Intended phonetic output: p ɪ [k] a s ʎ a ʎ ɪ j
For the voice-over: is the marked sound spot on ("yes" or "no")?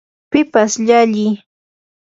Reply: no